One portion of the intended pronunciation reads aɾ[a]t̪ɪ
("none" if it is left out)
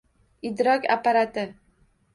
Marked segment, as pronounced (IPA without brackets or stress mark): a